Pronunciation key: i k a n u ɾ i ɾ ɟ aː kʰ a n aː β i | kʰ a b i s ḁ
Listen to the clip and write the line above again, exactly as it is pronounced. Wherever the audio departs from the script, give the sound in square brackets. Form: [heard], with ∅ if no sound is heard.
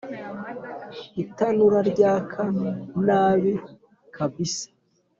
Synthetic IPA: i [t] a n u ɾ [a] ɾ ɟ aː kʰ a n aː β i | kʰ a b i s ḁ